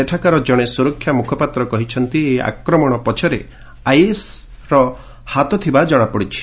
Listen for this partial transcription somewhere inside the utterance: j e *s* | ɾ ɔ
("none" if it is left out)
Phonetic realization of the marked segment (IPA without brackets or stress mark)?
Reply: s